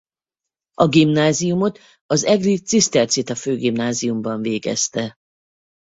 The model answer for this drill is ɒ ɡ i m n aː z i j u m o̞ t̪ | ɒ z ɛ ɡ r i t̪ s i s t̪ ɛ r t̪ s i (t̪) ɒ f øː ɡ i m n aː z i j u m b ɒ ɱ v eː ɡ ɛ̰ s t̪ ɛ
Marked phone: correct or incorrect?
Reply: correct